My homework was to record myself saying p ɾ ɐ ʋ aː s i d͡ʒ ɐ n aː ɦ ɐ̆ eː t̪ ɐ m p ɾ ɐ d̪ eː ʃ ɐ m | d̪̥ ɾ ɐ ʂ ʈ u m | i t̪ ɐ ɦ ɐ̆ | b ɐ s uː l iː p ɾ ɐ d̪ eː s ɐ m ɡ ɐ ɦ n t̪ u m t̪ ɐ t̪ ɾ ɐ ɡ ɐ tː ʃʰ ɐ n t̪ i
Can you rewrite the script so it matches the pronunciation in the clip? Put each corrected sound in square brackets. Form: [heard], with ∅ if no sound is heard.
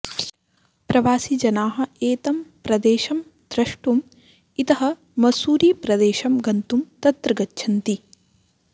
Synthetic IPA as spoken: p ɾ ɐ ʋ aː s i d͡ʒ ɐ n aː ɦ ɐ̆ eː t̪ ɐ m p ɾ ɐ d̪ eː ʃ ɐ m | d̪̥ ɾ ɐ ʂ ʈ u m | i t̪ ɐ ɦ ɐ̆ | [m] ɐ s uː [ɾ] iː p ɾ ɐ d̪ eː [ʃ] ɐ m ɡ ɐ [∅] n t̪ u m t̪ ɐ t̪ ɾ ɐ ɡ ɐ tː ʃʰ ɐ n t̪ i